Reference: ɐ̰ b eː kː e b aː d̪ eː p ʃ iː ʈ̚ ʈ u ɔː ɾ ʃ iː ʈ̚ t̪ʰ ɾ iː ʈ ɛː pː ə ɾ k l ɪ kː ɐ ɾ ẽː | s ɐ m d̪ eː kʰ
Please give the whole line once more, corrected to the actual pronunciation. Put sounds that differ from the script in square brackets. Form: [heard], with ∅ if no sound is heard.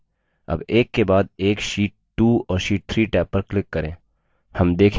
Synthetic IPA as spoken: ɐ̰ b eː kː e b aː d̪ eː [k] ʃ iː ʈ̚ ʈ u ɔː ɾ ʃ iː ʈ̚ t̪ʰ ɾ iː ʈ ɛː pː ə ɾ k l ɪ kː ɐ ɾ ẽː | [h] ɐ m d̪ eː kʰ